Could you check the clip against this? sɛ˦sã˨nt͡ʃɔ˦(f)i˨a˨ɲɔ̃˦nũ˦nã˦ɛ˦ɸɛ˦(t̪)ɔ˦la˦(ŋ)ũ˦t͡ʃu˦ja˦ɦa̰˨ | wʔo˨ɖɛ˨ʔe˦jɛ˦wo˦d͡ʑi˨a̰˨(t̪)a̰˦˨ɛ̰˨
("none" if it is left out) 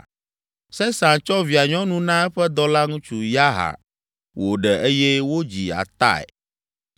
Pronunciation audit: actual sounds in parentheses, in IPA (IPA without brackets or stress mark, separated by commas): v, d̪, ŋ, t̪